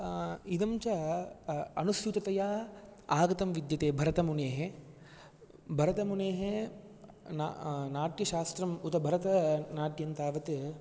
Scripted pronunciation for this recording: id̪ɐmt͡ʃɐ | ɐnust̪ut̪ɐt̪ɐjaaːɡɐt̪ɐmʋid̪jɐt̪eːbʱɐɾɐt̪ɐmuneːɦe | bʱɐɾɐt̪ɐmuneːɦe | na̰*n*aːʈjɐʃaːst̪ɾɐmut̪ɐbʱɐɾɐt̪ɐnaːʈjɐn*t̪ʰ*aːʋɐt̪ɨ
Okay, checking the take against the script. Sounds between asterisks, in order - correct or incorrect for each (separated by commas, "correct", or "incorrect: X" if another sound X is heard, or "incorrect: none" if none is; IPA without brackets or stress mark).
correct, incorrect: t̪